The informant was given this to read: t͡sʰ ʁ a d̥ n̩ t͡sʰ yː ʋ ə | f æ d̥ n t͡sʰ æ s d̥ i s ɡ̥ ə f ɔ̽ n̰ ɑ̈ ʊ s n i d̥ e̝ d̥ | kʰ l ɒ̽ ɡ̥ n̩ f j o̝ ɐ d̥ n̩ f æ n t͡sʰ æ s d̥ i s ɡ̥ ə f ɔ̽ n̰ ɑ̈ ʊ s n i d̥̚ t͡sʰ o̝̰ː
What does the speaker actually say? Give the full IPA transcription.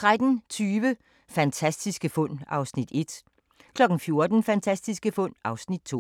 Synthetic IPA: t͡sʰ ʁ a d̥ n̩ t͡sʰ yː ʋ ə | f æ n t͡sʰ æ s d̥ i s ɡ̥ ə f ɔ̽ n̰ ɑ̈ ʊ s n i d̥ e̝ d̥ | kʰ l ɒ̽ ɡ̥ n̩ f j o̝ ɐ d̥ n̩ f æ n t͡sʰ æ s d̥ i s ɡ̥ ə f ɔ̽ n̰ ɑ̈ ʊ s n i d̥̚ t͡sʰ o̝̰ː

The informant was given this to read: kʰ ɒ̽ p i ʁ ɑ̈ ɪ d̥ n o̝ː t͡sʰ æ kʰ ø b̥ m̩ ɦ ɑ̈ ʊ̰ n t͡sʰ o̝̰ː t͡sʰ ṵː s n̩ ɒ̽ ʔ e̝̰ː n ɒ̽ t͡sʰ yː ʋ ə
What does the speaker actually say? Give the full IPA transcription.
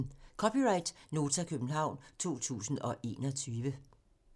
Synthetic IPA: kʰ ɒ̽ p i ʁ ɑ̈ ɪ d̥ n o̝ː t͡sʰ æ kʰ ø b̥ n̩ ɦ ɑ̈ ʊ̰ n t͡sʰ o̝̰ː t͡sʰ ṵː s n̩ ɒ̽ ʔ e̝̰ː n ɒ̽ t͡sʰ yː ʋ ə

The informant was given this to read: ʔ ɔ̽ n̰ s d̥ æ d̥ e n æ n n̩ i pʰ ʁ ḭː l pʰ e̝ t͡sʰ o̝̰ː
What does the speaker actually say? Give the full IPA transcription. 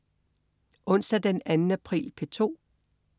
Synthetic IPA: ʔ ɔ̽ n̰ s d̥ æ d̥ e n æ n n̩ æ pʰ ʁ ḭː l pʰ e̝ t͡sʰ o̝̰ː

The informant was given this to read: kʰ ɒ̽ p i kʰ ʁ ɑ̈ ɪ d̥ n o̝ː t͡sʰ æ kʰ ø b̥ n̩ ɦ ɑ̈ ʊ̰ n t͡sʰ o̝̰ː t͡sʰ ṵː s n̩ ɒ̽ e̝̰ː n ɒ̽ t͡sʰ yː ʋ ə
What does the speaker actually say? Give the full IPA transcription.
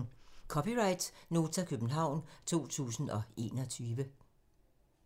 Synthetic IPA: kʰ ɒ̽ p i ʁ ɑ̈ ɪ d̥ n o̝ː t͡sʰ æ kʰ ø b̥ n̩ ɦ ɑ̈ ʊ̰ n t͡sʰ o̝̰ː t͡sʰ ṵː s n̩ ɒ̽ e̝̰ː n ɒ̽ t͡sʰ yː ʋ ə

